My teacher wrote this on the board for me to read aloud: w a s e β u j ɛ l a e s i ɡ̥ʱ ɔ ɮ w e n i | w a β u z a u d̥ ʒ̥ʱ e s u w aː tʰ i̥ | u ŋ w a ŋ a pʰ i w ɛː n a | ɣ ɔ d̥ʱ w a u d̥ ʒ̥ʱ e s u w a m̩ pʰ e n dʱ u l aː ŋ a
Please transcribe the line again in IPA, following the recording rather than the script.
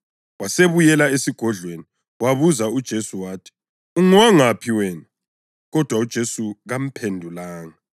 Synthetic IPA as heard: w a s e β u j ɛ l a e s i ɡ̥ʱ ɔ ɮ w e n i | w a β u z a u d̥ ʒ̥ʱ e s u w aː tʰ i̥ | u ŋ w a ŋ a pʰ i w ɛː n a | ɣ ɔ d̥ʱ w a u d̥ ʒ̥ʱ e s u ɣ a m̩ pʰ e n dʱ u l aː ŋ a